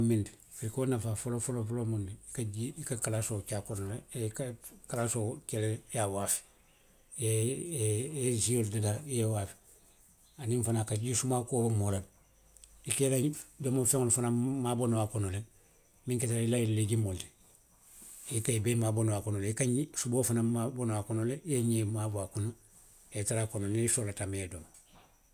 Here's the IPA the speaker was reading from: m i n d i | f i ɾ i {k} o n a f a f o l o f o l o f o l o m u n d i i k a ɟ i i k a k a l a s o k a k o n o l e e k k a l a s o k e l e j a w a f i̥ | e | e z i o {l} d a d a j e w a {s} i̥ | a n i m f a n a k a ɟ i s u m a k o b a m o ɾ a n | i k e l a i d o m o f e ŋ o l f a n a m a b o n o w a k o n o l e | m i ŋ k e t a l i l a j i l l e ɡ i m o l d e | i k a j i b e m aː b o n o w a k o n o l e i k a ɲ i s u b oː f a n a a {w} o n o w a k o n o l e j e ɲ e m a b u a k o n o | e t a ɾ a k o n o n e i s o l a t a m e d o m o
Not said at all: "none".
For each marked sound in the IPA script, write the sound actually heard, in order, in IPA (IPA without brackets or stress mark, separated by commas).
k, l, f, b